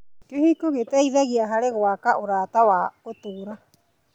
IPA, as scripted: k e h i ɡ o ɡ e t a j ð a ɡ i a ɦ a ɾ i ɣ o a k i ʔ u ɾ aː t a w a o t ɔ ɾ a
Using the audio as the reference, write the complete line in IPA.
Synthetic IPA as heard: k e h i k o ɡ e t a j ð a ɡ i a ɦ a ɾ e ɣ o a k a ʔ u ɾ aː t a w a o t u ɾ a